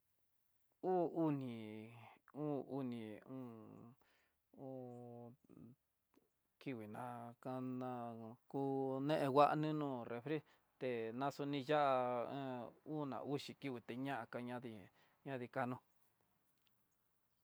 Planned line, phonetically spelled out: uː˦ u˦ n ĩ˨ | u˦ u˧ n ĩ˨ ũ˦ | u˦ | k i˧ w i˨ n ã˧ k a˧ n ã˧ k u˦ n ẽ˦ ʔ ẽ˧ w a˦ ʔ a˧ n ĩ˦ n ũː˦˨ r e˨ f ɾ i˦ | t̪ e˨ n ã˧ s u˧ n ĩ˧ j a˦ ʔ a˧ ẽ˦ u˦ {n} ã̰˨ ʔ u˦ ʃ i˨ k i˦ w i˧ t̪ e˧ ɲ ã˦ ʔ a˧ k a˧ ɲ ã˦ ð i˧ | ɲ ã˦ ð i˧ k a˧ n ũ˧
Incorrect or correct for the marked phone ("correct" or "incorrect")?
correct